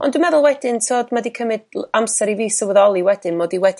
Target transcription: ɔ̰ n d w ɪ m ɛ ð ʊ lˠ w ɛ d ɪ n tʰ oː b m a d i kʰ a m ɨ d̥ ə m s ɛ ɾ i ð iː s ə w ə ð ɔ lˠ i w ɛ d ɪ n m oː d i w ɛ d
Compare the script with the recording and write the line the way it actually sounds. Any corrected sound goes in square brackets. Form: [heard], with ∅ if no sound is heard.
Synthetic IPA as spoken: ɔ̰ n d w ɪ m ɛ ð ʊ lˠ w ɛ d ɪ n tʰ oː [d] m a d i kʰ [ə] m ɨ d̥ [a] m s ɛ ɾ i [v] iː s ə w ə ð ɔ lˠ i w ɛ d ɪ n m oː d i w ɛ d